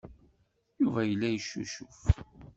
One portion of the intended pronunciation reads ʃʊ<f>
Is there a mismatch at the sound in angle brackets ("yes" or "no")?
no